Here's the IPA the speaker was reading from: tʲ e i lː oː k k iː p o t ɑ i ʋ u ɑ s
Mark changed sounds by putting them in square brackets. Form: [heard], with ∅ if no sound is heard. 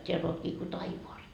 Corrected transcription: tʲ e [æ] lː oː [t] k iː [k] o t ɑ i ʋ [o] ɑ s